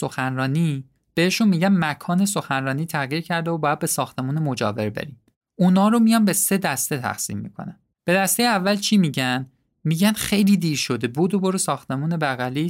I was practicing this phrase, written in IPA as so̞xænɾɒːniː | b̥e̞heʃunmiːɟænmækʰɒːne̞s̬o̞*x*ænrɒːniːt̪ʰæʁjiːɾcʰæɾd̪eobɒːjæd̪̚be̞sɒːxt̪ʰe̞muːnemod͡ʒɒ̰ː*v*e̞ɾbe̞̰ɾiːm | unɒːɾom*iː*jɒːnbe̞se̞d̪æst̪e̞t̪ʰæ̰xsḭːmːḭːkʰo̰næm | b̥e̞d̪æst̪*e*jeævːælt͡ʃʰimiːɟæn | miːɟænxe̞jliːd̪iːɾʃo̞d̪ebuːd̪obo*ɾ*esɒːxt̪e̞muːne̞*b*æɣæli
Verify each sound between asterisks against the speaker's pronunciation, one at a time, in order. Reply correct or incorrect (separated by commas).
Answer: correct, correct, incorrect, correct, correct, correct